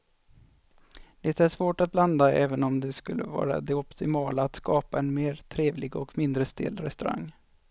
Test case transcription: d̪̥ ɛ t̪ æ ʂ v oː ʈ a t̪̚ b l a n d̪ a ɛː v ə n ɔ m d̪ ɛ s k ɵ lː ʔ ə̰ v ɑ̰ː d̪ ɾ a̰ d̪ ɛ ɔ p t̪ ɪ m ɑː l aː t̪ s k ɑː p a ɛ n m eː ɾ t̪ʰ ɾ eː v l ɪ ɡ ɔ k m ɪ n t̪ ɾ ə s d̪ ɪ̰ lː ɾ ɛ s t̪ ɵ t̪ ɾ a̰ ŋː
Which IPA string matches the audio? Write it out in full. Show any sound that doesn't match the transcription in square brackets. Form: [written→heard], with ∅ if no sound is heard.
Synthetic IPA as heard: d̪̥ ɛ t̪ æ ʂ v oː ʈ a t̪̚ b l a n d̪ a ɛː v ə n ɔ m d̪ ɛ s k ɵ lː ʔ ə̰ v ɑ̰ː [d̪→∅] ɾ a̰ d̪ ɛ ɔ p t̪ ɪ m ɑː l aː t̪ s k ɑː p a ɛ n m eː ɾ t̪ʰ ɾ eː v l ɪ ɡ ɔ k m ɪ n [t̪→d̪] ɾ ə s [d̪→t̪] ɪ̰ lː ɾ ɛ s t̪ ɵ [t̪→∅] ɾ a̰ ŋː